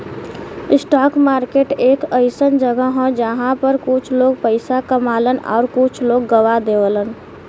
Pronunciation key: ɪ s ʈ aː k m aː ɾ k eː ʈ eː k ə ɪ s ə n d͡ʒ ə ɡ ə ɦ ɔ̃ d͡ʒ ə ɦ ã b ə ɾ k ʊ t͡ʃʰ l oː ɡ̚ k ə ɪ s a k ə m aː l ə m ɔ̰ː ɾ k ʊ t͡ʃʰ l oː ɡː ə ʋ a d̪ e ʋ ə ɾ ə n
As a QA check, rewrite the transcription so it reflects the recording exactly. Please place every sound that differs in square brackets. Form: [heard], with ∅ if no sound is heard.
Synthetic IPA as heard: ɪ s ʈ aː k m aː ɾ k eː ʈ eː k ə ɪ s ə n d͡ʒ ə ɡ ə ɦ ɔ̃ d͡ʒ ə ɦ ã [p] ə ɾ k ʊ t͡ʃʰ l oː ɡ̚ [p] ə ɪ s a k ə m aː l ə [n] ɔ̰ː ɾ k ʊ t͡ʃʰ l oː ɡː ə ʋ a d̪ e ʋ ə [l] ə n